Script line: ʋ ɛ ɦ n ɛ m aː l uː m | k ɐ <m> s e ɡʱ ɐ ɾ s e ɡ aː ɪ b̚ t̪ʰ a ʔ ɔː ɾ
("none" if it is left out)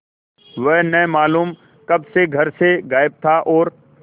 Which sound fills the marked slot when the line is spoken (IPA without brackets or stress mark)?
b